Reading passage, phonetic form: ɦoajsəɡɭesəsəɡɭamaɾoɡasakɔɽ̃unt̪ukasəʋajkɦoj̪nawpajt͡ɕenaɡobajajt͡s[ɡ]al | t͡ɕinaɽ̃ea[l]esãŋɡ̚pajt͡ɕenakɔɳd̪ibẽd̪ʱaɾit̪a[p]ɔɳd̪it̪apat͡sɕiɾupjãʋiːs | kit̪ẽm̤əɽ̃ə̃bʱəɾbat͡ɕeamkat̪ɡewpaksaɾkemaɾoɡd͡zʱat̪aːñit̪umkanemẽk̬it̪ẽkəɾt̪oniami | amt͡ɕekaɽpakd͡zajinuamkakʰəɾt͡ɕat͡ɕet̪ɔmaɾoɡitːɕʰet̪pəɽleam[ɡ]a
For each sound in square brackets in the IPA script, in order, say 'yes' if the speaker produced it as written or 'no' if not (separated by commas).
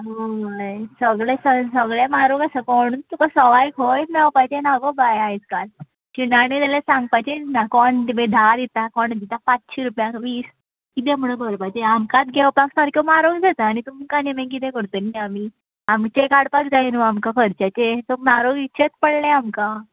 no, yes, no, no